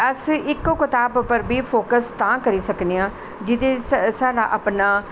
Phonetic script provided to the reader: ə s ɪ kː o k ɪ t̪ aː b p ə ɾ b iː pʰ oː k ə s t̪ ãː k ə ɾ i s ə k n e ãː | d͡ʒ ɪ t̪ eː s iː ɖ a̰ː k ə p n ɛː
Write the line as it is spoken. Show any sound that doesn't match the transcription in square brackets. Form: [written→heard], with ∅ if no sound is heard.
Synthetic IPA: ə s ɪ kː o k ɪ t̪ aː b p ə ɾ b iː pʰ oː k ə s t̪ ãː k ə ɾ [i→iː] s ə k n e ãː | d͡ʒ ɪ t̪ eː s [iː→aː] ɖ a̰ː [k→ʔ] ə p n [ɛː→aː]